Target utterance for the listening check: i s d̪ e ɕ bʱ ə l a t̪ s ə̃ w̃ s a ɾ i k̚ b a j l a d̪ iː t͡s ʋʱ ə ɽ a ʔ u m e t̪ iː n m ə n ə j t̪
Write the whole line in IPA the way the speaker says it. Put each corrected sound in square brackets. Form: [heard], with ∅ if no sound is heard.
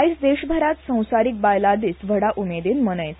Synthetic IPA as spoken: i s d̪ e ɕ bʱ ə [ɾ] a t̪ s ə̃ w̃ s a ɾ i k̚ b a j l a d̪ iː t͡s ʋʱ ə ɽ a ʔ u m e [d̪] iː n m ə n ə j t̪